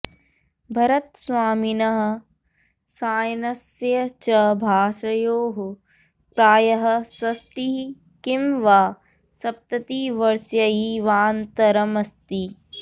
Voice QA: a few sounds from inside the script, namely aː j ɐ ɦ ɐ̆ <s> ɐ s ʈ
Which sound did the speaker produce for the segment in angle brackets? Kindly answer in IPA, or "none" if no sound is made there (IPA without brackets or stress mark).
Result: s